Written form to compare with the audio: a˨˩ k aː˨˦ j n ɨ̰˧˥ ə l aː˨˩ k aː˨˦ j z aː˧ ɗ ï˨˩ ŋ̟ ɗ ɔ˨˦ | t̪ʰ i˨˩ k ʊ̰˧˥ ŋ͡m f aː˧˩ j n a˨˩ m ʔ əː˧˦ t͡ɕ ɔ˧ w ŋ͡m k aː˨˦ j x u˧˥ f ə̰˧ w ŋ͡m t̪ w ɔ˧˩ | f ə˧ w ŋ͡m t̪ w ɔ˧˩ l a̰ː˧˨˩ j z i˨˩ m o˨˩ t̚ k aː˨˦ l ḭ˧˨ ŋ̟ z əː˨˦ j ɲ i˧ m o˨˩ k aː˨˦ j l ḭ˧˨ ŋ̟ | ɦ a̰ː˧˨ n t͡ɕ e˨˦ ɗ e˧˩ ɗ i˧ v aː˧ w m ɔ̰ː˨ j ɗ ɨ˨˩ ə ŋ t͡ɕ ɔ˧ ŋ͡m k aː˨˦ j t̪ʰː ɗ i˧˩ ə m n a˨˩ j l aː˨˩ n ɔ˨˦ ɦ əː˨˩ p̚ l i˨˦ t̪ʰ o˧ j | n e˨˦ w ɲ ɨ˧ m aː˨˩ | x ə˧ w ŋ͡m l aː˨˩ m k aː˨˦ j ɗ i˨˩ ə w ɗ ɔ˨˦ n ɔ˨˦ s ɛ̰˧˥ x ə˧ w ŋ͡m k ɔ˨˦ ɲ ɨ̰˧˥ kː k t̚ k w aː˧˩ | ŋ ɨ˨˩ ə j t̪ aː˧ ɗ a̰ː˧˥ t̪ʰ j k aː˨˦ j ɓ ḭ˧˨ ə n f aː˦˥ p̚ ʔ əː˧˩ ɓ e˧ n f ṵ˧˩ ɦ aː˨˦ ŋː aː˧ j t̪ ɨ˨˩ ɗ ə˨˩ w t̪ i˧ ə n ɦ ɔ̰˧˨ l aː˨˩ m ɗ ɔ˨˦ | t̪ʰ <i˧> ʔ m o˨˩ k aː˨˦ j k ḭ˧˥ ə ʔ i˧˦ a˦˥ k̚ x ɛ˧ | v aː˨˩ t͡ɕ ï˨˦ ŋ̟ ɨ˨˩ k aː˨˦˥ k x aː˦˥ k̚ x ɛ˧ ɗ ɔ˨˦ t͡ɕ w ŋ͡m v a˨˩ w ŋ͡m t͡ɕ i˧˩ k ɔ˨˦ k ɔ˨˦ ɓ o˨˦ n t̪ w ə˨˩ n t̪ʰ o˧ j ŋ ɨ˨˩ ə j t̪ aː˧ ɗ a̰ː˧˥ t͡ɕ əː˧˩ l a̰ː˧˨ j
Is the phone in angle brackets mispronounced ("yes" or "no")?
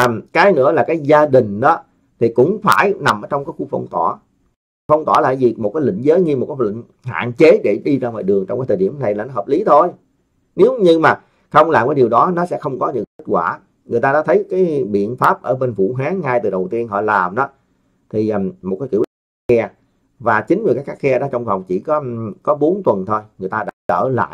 yes